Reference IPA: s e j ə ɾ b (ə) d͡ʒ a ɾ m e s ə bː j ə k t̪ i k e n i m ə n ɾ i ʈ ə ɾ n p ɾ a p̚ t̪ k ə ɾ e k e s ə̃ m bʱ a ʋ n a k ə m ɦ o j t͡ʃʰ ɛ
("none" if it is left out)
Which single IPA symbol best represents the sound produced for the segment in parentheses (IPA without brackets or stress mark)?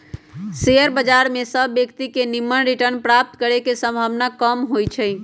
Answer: ə